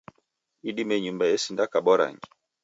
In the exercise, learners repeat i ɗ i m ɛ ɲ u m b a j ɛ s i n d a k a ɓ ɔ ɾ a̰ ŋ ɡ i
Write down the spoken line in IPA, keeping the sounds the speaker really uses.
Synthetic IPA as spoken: i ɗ i m ɛ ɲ u m b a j ɛ s i n d a k a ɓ ɔ ɾ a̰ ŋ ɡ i